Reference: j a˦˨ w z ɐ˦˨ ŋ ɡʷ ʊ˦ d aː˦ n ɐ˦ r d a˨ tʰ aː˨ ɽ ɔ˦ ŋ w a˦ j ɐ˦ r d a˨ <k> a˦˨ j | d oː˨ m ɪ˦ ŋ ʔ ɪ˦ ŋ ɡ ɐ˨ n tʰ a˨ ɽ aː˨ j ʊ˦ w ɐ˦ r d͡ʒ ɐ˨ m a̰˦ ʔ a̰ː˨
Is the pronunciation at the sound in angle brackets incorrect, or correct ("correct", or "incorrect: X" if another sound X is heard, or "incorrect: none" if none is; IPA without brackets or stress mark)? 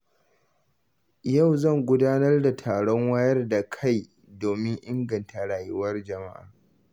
incorrect: kʰ